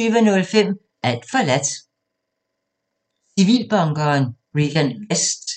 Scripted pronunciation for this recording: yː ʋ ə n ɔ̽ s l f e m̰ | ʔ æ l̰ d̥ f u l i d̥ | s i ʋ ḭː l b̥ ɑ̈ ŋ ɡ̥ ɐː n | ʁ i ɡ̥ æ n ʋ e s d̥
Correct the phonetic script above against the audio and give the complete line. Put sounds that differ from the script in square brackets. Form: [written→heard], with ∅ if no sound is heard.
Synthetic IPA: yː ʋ ə n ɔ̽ [s→∅] l f e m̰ | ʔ æ l̰ d̥ f [u→ɒ] l [i→æ] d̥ | s i ʋ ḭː l b̥ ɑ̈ ŋ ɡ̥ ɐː n | ʁ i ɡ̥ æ n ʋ e s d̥